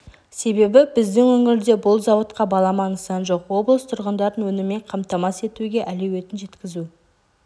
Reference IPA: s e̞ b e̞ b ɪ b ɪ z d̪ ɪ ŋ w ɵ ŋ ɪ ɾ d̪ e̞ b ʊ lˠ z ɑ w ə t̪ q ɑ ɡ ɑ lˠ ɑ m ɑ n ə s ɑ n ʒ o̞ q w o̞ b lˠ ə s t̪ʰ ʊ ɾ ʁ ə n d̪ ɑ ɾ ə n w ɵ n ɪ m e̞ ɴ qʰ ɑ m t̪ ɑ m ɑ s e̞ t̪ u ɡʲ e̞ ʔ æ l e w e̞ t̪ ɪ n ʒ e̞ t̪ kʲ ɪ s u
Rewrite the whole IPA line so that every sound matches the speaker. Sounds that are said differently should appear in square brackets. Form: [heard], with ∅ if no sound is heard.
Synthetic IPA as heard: s e̞ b e̞ b ɪ b ɪ z d̪ ɪ ŋ w ɵ ŋ ɪ ɾ d̪ e̞ b ʊ lˠ z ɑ w ə t̪ q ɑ [b] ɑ lˠ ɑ m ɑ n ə s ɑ n ʒ o̞ q w o̞ b lˠ ə s t̪ʰ ʊ ɾ ʁ ə n d̪ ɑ ɾ ə n w ɵ n ɪ m e̞ ɴ qʰ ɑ m t̪ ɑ m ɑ s e̞ t̪ u ɡʲ e̞ ʔ æ l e w e̞ t̪ ɪ n ʒ e̞ t̪ kʲ ɪ [z] u

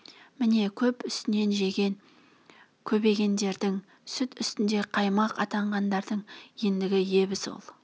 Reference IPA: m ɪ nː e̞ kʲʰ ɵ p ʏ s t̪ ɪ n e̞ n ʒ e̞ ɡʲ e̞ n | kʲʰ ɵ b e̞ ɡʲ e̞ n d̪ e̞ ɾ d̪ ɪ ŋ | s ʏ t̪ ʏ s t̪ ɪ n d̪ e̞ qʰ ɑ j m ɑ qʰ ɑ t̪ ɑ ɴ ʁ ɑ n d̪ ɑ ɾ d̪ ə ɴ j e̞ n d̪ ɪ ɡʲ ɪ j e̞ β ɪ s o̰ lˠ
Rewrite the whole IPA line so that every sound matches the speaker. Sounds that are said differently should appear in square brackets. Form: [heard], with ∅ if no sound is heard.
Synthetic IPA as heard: m ɪ [n] e̞ kʲʰ ɵ p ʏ s t̪ ɪ n e̞ n ʒ e̞ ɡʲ e̞ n | kʲʰ ɵ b e̞ ɡʲ e̞ n d̪ e̞ ɾ d̪ ɪ ŋ | s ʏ t̪ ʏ s t̪ ɪ n d̪ e̞ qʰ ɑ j m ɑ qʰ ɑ t̪ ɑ ɴ ʁ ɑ n d̪ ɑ ɾ d̪ ə ɴ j e̞ n d̪ ɪ ɡʲ ɪ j e̞ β ɪ s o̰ lˠ

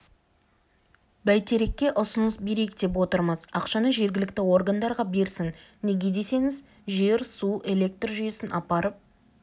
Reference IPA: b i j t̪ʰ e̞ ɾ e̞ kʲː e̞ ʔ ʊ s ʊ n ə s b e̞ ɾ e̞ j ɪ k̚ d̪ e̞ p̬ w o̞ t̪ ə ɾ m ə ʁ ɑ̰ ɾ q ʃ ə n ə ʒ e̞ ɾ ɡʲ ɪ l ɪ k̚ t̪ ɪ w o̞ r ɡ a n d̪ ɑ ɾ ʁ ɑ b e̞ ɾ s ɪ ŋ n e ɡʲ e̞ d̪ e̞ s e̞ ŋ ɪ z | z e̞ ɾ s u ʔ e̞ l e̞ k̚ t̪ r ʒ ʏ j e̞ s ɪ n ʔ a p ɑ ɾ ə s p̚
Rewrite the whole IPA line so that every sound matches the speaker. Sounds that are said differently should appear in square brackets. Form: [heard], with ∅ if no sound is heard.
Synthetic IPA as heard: b [æ] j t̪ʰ e̞ ɾ e̞ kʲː e̞ ʔ ʊ s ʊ n ə s b e̞ ɾ e̞ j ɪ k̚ d̪ e̞ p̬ w o̞ t̪ ə ɾ m ə [z] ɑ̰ [∅] q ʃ [ɑ] n ə ʒ e̞ ɾ ɡʲ ɪ l ɪ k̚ t̪ ɪ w o̞ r ɡ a n d̪ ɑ ɾ ʁ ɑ b e̞ ɾ s ɪ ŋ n e ɡʲ e̞ d̪ e̞ s e̞ ŋ ɪ z | [ʒ] e̞ ɾ s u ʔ e̞ l e̞ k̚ t̪ r ʒ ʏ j e̞ s ɪ n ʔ [ɑ] p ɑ ɾ ə [∅] p̚

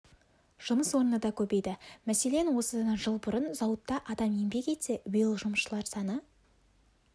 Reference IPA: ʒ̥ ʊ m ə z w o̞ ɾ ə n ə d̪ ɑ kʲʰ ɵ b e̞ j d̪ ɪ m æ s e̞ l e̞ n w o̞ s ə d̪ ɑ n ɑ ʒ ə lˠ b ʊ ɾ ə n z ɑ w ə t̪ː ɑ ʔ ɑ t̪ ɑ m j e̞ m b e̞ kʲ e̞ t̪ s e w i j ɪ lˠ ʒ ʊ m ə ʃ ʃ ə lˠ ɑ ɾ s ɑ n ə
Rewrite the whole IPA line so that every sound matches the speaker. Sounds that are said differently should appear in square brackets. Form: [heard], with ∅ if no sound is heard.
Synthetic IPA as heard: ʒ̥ ʊ m ə [s] w o̞ ɾ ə n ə d̪ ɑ kʲʰ ɵ b e̞ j d̪ ɪ m æ s e̞ l e̞ n w o̞ s ə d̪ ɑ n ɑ ʒ ə lˠ b ʊ ɾ ə n z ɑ w ə t̪ː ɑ ʔ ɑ [d̪] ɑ m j e̞ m b e̞ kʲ e̞ t̪ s e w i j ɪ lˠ ʒ ʊ m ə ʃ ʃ ə lˠ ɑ ɾ s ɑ n ə

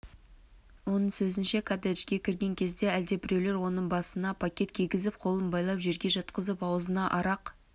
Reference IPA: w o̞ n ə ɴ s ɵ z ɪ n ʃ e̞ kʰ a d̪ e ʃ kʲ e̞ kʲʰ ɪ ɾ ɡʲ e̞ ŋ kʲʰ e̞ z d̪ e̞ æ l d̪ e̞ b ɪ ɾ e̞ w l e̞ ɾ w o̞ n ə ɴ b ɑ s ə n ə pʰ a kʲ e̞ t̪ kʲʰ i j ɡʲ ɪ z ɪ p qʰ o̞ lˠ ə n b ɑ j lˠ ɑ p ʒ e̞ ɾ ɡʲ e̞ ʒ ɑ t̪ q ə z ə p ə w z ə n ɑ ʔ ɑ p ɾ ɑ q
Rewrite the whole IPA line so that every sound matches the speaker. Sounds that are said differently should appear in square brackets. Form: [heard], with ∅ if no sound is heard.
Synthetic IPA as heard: w o̞ n ə ɴ s ɵ z ɪ n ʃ e̞ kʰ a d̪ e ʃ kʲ e̞ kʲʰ ɪ ɾ ɡʲ e̞ ŋ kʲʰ e̞ z d̪ e̞ æ l d̪ e̞ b ɪ ɾ e̞ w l e̞ ɾ w o̞ n ə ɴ b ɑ s ə n [ɑ] pʰ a kʲ e̞ t̪ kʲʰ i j ɡʲ ɪ z ɪ p qʰ o̞ lˠ ə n b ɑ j lˠ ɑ p ʒ e̞ ɾ ɡʲ e̞ ʒ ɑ t̪ q ə z ə p [ɑ] w z ə n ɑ ʔ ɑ [∅] ɾ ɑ q

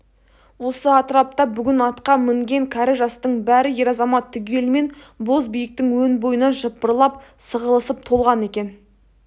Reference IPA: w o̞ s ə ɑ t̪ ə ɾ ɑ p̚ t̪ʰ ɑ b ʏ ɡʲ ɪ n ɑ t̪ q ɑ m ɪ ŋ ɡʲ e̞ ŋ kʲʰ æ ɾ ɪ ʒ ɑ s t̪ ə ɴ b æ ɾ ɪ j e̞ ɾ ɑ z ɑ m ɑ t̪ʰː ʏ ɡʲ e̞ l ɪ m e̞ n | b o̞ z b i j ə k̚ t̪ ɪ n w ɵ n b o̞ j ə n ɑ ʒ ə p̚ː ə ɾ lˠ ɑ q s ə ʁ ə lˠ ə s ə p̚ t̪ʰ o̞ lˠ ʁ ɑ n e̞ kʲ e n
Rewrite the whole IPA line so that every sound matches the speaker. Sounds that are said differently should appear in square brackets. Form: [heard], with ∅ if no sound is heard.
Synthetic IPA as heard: w o̞ s ə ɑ t̪ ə ɾ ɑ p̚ [t̪] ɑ b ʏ ɡʲ ɪ n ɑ t̪ q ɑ m ɪ ŋ ɡʲ e̞ ŋ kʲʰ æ ɾ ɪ ʒ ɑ s t̪ ə ɴ b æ ɾ ɪ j e̞ ɾ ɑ z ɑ m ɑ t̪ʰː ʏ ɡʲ e̞ l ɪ m e̞ n | b o̞ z b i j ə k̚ t̪ ɪ [ŋ] w ɵ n b o̞ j ə n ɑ ʒ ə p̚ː ə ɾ lˠ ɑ [p] s ə ʁ ə lˠ ə s ə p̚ t̪ʰ o̞ lˠ ʁ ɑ n e̞ kʲ e n

